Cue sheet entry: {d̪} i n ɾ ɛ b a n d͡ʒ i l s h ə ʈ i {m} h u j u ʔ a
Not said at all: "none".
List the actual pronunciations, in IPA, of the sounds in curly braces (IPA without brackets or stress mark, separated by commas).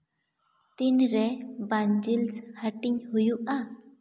t̪, ɲ